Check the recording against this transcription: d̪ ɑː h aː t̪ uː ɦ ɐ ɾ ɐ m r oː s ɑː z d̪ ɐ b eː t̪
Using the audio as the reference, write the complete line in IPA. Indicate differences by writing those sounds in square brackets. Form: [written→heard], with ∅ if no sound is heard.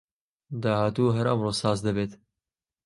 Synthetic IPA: d̪ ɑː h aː t̪ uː ɦ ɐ ɾ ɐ m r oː s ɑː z d̪ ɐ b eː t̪